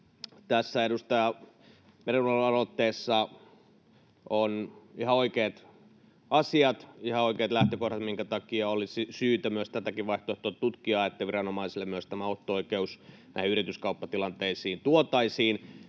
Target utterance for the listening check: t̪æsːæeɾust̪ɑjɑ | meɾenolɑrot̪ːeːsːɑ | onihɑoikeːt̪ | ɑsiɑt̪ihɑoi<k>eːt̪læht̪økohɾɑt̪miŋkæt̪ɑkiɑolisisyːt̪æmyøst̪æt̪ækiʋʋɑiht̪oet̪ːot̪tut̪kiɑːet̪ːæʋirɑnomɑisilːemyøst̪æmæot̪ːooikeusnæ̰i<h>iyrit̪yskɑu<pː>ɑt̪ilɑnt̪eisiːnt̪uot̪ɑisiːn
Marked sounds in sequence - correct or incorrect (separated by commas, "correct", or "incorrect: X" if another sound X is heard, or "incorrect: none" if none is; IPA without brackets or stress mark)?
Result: correct, correct, correct